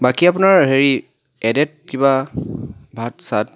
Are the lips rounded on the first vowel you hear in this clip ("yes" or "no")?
no